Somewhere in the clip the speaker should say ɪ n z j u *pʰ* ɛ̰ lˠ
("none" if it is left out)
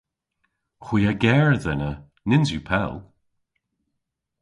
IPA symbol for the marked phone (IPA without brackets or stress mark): pʰ